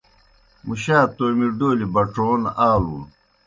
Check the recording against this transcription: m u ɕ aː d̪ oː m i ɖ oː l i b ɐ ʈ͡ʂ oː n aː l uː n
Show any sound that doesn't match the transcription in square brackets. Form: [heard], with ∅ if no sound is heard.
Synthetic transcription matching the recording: m u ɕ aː [t̪] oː m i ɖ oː l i b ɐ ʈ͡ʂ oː n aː l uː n